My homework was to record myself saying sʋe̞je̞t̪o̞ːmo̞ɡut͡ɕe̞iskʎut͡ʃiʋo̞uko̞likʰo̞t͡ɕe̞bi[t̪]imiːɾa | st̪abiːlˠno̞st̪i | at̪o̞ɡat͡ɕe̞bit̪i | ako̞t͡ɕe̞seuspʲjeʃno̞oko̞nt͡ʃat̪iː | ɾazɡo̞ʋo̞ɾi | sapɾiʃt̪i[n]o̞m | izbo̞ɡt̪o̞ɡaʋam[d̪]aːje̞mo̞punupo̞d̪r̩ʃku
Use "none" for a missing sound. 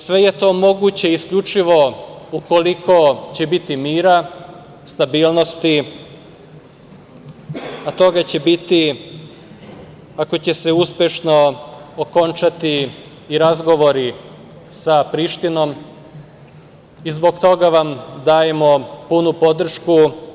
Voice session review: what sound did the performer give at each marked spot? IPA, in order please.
t̪, n, d̪

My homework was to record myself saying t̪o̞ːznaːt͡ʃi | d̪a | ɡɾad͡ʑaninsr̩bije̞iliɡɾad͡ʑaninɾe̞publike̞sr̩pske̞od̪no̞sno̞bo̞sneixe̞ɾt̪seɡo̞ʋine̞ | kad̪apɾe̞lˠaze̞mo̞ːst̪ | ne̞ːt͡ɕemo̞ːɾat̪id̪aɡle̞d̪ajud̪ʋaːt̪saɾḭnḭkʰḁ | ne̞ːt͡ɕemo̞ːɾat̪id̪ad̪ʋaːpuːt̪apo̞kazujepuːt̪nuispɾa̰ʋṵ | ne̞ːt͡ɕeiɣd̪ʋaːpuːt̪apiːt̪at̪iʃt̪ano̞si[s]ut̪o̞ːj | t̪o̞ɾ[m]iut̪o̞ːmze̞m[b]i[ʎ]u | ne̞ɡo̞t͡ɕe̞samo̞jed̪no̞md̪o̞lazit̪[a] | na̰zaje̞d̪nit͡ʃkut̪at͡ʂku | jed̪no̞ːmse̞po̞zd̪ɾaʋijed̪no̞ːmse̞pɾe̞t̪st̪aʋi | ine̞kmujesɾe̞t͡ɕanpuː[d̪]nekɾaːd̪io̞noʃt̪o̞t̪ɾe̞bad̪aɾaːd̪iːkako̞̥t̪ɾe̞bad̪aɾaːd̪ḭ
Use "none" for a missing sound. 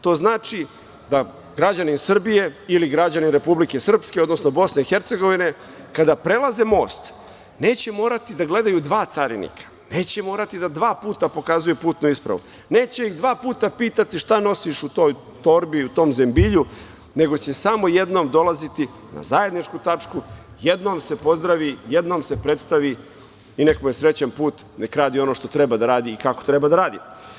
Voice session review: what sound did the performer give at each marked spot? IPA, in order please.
ʃ, b, b, ʎ, i, t̪

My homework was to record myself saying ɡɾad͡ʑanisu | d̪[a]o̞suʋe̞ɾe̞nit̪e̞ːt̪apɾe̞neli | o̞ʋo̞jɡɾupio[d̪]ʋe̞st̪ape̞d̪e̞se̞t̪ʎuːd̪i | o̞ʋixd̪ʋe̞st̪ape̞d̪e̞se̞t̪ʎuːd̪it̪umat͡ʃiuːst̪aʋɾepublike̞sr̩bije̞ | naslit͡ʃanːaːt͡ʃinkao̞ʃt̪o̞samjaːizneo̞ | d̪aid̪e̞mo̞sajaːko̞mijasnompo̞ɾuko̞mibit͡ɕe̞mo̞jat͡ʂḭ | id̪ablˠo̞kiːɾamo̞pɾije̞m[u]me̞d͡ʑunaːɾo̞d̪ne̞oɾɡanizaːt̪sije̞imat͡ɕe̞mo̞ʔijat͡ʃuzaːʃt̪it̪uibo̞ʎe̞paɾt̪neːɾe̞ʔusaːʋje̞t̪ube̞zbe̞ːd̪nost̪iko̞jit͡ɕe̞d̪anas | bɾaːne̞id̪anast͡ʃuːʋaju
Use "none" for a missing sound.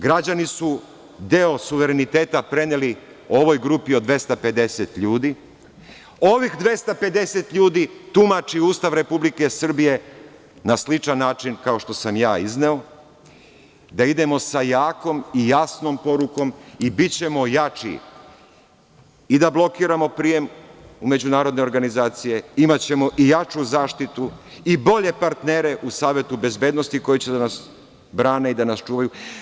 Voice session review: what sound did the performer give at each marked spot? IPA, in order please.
e, d̪, u

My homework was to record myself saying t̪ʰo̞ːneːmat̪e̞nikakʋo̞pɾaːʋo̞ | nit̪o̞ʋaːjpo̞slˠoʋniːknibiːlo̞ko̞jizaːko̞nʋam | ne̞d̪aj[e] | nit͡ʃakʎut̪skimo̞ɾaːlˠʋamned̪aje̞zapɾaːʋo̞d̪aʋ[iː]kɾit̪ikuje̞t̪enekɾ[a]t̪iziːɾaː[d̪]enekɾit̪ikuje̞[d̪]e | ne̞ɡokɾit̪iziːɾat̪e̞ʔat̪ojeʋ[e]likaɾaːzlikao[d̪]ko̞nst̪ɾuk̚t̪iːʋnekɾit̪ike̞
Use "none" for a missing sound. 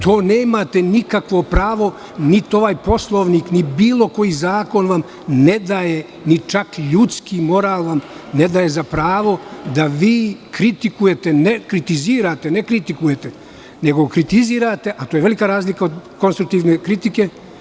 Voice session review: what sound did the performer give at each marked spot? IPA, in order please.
e, iː, i, t̪, t̪, e, d̪

